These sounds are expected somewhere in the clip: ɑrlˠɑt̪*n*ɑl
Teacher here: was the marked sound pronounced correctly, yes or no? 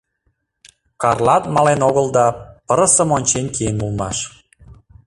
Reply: no